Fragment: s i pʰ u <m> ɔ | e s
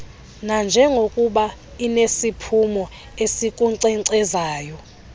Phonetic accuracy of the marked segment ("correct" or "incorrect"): correct